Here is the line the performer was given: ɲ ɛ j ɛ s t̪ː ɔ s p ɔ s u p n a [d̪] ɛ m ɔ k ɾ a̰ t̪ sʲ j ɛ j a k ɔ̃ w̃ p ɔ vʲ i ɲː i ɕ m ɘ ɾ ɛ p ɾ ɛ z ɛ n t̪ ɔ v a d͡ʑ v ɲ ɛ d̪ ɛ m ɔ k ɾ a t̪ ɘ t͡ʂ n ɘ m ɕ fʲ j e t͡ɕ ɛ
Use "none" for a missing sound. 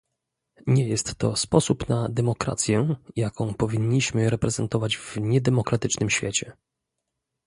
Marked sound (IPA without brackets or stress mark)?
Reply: d̪